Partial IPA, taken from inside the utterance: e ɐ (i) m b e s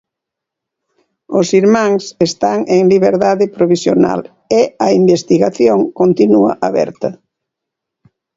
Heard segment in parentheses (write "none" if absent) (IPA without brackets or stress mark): i